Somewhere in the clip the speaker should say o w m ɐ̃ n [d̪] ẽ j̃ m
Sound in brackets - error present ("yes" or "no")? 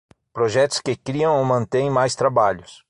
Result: yes